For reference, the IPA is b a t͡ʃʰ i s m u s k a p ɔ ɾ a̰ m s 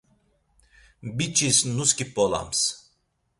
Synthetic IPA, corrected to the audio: b i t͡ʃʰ i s n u s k i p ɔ l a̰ m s